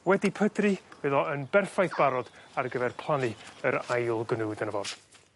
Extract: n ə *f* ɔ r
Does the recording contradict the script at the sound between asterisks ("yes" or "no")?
yes